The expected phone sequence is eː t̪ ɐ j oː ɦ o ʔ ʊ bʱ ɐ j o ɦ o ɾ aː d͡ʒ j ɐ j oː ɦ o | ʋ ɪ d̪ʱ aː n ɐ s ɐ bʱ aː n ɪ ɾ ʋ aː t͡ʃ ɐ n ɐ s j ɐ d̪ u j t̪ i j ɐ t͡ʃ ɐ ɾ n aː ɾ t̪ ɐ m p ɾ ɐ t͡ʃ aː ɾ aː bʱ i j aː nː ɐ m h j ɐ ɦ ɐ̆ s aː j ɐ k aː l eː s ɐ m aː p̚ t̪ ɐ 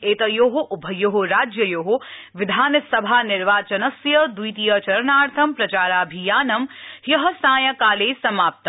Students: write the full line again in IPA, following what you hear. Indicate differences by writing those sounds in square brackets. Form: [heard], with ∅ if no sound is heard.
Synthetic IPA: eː t̪ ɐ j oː ɦ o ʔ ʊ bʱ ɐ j o ɦ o ɾ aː d͡ʒ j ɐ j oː ɦ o | ʋ ɪ d̪ʱ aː n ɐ s ɐ bʱ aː n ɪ ɾ ʋ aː t͡ʃ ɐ n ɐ s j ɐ d̪ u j t̪ i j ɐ t͡ʃ ɐ ɾ n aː ɾ [t̪ʰ] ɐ m p ɾ ɐ t͡ʃ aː ɾ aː bʱ i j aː [n] ɐ m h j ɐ ɦ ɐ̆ s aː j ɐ k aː l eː s ɐ m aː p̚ t̪ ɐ